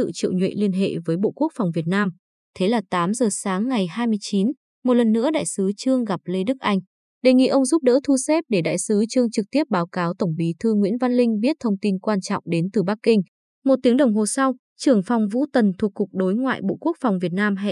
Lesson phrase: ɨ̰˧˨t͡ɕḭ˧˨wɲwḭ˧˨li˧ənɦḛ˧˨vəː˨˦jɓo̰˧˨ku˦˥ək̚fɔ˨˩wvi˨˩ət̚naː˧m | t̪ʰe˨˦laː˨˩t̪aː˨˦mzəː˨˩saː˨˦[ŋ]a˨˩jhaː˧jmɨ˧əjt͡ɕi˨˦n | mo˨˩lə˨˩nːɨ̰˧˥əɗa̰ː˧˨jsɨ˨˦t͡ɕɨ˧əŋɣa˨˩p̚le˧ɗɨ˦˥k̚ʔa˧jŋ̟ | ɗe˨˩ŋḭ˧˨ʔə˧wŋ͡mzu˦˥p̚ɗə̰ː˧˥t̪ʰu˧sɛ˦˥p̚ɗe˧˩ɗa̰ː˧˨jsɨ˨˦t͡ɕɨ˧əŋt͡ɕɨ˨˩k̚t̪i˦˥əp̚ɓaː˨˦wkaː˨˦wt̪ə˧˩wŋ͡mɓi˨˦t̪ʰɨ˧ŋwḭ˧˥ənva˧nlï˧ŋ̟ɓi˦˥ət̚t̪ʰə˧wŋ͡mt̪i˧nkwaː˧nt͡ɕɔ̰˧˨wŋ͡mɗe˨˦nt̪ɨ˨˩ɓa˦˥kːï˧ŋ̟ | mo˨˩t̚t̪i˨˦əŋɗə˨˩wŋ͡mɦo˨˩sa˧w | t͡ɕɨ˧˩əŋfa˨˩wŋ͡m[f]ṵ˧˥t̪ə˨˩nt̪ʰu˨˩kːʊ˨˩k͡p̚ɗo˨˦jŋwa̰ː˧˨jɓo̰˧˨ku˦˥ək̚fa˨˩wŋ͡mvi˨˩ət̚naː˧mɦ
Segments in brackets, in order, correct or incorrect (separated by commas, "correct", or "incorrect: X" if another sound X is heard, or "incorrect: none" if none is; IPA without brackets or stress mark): incorrect: ŋː, incorrect: v